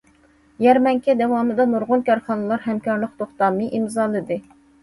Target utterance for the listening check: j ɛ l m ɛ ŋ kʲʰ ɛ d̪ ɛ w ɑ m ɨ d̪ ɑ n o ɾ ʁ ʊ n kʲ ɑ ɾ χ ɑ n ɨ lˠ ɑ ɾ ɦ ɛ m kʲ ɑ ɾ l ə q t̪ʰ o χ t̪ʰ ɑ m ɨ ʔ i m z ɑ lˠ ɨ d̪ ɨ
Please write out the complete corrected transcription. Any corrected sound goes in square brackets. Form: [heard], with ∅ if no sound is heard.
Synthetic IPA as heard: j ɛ [ɾ] m ɛ ŋ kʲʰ ɛ d̪ ɛ w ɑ m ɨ d̪ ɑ n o ɾ ʁ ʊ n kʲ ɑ ɾ χ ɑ n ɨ lˠ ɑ ɾ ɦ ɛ m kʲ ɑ ɾ l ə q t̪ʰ o χ [t̪] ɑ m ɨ ʔ i m z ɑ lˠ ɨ d̪ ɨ